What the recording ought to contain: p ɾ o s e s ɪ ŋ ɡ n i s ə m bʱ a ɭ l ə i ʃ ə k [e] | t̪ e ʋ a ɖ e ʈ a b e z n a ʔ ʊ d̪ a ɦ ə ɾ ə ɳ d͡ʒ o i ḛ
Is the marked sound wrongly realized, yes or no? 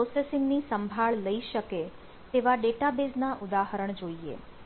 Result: no